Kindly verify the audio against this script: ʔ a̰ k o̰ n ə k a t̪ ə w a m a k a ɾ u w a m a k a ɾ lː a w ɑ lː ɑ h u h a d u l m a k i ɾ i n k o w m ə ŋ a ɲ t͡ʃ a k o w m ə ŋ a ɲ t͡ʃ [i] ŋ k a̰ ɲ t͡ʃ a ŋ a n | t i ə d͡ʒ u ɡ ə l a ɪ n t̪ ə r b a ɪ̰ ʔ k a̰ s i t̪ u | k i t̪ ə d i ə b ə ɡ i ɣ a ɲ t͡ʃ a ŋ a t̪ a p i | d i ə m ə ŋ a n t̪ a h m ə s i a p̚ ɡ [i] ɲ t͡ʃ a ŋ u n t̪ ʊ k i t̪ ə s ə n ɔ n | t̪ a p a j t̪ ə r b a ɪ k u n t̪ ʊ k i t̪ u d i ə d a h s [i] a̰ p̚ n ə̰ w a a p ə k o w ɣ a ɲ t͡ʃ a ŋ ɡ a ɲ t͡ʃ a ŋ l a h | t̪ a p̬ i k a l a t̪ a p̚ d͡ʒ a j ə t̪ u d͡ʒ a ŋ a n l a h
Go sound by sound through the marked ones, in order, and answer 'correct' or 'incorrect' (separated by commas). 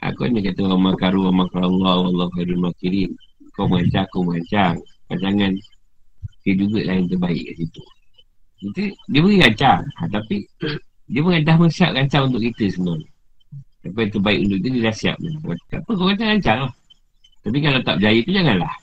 incorrect, incorrect, correct